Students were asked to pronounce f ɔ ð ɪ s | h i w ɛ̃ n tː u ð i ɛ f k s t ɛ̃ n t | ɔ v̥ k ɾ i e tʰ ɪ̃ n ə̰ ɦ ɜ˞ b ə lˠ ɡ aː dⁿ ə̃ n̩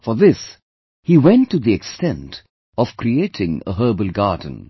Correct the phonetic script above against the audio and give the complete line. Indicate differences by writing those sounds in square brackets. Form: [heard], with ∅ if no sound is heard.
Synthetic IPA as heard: f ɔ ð ɪ s | h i w ɛ̃ n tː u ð i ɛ [∅] k s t ɛ̃ n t | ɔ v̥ k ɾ i e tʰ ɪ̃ [ŋ] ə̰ ɦ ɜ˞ b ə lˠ ɡ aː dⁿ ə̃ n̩

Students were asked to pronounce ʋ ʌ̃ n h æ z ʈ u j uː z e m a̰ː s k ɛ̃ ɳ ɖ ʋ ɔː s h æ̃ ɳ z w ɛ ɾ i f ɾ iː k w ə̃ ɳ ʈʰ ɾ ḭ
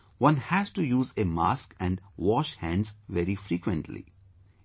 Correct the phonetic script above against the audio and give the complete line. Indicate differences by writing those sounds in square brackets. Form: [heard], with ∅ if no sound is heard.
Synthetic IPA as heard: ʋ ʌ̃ n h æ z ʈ u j uː z e m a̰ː s k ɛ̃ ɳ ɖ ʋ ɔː [ʃ] h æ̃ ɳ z [ʋ] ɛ ɾ i f ɾ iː k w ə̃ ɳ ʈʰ [l] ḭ

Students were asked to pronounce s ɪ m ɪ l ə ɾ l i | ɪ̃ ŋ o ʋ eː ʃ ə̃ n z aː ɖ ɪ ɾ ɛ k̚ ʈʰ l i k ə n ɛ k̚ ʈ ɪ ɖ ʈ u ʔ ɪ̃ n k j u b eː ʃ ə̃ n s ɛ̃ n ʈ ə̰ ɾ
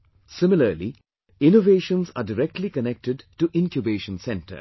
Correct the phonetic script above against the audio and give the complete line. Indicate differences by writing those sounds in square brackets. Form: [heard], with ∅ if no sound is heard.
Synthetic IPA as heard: s ɪ m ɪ l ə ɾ l i | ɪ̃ [n] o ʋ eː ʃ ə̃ n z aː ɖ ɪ ɾ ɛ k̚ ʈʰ l i k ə n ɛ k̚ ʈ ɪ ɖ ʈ u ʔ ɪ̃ n k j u b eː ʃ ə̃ n s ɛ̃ n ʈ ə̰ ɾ

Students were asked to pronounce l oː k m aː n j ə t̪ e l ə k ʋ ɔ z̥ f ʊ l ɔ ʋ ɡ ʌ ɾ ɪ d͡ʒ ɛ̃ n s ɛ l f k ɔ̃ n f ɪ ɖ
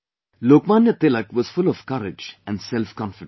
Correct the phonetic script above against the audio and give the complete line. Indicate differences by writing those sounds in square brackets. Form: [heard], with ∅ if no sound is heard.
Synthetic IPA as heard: l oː k m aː n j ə t̪ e l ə k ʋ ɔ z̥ f ʊ l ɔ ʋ [k] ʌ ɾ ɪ d͡ʒ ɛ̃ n s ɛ l f k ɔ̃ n f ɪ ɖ

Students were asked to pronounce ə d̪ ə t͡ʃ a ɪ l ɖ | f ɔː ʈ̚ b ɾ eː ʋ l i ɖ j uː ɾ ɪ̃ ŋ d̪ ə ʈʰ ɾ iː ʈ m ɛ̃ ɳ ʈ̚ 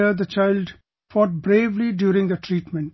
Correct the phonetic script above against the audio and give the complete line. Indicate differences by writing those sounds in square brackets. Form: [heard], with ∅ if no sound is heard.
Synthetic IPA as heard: ə d̪ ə t͡ʃ a ɪ l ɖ | f ɔː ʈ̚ b ɾ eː ʋ l i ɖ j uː ɾ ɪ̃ ŋ d̪ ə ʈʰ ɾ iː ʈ m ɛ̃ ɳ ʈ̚

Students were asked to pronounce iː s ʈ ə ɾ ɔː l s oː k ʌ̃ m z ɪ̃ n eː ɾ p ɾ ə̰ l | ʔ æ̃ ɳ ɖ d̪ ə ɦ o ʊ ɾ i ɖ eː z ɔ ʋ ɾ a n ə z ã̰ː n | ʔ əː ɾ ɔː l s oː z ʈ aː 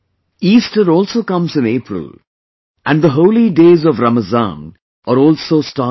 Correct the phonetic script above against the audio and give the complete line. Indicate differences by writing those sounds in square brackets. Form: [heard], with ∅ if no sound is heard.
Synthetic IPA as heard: iː s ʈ ə ɾ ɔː l s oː k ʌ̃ m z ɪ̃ n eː [∅] p ɾ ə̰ l | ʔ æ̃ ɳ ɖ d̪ ə ɦ o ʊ [l] i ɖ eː z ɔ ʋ ɾ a [m] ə z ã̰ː n | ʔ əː ɾ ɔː l s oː [s] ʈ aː

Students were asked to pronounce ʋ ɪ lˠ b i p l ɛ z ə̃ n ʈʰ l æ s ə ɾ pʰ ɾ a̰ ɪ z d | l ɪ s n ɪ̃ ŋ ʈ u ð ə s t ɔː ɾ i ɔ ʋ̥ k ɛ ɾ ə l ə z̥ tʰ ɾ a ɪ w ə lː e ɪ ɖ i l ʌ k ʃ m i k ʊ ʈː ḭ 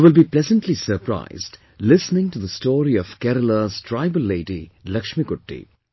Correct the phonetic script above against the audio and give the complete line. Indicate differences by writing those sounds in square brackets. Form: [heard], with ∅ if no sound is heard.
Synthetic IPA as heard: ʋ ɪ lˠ b i p l ɛ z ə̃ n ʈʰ l [i] s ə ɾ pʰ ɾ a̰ ɪ z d | l ɪ s n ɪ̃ ŋ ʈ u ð ə s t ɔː ɾ i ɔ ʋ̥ k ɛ ɾ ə l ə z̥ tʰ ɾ a ɪ [b] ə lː e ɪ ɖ i l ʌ k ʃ m i k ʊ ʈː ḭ

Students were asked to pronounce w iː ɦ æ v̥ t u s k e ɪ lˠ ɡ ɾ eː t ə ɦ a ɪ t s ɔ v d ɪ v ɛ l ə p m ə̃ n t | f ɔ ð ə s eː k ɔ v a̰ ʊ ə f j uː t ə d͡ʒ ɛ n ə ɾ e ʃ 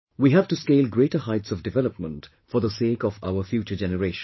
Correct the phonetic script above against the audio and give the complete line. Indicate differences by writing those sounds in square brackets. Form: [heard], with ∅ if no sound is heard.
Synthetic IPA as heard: w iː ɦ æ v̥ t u s k e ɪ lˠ ɡ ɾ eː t ə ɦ a ɪ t s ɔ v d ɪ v ɛ l ə p m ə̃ n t | f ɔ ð ə s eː k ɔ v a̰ ʊ ə f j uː [t͡ʃ] ə d͡ʒ ɛ n ə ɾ e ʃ

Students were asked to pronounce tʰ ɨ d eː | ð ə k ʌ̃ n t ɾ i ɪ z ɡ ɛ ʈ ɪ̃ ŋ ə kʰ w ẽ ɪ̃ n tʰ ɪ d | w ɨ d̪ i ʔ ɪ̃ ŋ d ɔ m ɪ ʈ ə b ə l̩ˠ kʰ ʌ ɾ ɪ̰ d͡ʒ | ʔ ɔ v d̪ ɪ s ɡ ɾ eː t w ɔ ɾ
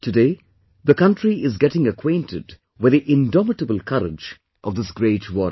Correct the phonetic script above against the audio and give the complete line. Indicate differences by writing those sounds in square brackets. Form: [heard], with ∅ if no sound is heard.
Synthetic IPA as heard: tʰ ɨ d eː | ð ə k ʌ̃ n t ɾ i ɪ z ɡ ɛ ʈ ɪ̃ ŋ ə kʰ w ẽ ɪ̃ n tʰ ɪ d | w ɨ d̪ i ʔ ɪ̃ [n] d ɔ m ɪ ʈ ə b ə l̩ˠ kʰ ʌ ɾ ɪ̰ d͡ʒ | ʔ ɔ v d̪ ɪ s ɡ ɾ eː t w ɔ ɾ

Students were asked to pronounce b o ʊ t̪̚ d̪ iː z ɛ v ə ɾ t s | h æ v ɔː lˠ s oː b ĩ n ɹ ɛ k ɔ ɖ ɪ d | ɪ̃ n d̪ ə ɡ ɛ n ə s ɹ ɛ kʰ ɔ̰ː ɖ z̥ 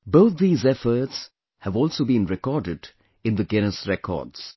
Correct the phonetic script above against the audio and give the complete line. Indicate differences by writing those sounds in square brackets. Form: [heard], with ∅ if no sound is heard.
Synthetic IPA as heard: b o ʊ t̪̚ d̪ iː z ɛ [f] ə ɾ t s | h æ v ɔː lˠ s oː b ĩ n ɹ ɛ k ɔ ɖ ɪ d | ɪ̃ n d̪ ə ɡ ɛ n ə s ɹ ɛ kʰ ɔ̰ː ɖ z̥

